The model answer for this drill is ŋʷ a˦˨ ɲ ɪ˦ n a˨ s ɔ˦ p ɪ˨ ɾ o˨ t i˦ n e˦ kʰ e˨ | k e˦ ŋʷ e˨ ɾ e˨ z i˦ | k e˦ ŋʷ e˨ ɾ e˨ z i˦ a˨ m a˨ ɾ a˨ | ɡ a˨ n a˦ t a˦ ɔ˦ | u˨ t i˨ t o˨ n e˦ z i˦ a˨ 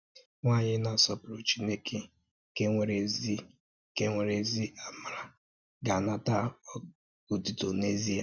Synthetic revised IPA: ŋʷ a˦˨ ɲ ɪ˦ n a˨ s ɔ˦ p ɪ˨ ɾ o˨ t͡ʃ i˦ n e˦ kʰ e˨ | k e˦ ŋʷ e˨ ɾ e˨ z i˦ | k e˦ ŋʷ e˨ ɾ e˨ z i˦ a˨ m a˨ ɾ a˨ | ɡ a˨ n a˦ t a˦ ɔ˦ | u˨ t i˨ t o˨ n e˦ z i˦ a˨

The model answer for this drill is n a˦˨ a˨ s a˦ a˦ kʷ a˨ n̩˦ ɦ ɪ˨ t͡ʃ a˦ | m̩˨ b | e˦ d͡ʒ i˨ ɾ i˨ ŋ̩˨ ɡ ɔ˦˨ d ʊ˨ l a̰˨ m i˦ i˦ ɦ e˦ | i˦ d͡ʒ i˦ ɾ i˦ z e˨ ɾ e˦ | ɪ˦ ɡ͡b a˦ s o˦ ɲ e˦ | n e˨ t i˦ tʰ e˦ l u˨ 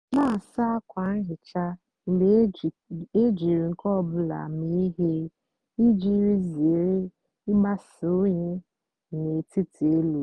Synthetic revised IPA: n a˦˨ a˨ s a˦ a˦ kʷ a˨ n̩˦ ɦ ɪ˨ t͡ʃ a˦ | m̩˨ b | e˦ d͡ʒ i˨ ɾ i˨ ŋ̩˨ k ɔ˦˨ b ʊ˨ l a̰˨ m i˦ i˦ ɦ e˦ | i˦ d͡ʒ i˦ ɾ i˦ z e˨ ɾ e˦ | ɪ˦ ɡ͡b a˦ s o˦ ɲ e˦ | n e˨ t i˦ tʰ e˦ l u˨

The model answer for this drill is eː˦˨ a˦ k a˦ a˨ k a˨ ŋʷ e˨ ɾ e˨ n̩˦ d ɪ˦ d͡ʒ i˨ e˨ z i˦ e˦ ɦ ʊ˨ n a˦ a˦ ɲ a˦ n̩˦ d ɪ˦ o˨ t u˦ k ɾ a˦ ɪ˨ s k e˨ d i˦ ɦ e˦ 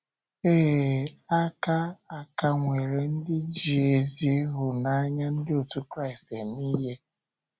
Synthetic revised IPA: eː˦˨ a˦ k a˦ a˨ k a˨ ŋʷ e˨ ɾ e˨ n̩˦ d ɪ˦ d͡ʒ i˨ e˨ z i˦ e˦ ɦ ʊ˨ n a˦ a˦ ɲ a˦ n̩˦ d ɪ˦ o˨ t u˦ k ɾ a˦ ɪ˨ s t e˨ n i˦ ɦ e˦

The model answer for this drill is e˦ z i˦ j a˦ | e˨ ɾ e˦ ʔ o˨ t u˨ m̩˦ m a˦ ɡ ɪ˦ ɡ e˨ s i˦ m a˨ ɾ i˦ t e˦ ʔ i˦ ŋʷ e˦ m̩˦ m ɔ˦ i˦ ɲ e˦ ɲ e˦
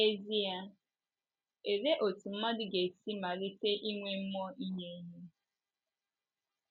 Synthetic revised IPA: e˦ z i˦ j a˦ | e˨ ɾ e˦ ʔ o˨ t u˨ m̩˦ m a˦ d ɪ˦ ɡ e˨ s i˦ m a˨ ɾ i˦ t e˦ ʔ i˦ ŋʷ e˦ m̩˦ m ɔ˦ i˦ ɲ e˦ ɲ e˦

